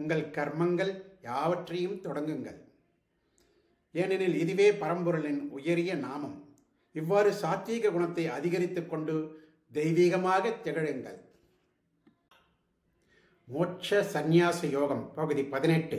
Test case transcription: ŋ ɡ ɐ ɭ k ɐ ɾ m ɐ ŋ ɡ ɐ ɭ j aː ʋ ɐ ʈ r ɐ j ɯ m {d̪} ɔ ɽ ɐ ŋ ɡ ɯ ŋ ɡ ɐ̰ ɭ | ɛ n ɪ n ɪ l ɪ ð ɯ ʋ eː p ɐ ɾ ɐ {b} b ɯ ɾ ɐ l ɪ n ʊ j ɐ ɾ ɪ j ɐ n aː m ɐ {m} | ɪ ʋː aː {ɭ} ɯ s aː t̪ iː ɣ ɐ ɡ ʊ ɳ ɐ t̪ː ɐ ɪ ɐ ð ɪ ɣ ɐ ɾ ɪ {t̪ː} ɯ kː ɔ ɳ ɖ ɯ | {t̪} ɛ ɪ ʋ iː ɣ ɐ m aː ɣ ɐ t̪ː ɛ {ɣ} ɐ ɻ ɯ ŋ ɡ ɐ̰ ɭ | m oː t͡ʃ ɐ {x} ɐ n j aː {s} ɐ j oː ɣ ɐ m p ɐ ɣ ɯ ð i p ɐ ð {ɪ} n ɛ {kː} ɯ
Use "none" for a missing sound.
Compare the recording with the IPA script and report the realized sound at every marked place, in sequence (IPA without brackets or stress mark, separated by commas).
t̪, m, m, ɾ, t̪ː, d̪, ɣ, s, s, ɪ, ʈː